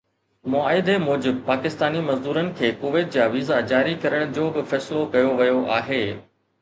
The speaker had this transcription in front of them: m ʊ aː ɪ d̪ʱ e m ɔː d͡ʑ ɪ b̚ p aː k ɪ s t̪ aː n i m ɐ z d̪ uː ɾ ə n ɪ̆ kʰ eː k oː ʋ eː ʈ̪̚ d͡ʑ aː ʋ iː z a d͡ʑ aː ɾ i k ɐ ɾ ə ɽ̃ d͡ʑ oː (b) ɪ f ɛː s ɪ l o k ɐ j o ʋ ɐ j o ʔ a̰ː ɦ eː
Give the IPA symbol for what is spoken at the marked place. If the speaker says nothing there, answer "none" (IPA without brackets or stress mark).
b